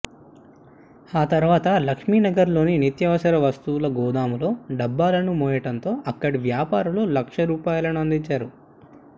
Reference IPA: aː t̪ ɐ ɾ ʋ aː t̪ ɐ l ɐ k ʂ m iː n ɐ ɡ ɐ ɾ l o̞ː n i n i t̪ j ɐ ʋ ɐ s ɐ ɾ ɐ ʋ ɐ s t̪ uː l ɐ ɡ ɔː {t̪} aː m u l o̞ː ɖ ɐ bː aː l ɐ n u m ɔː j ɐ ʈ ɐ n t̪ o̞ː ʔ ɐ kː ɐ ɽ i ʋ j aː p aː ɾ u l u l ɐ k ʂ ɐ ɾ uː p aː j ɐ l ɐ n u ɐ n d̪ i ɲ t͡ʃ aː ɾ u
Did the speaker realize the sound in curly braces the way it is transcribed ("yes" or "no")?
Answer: no